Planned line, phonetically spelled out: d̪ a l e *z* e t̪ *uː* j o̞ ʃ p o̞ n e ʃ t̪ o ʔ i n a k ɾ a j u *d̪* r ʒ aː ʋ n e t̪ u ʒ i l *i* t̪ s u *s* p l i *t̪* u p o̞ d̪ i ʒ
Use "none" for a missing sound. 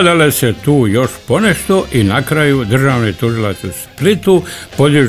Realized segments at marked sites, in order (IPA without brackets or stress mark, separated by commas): s, uː, d̪, a, s, t̪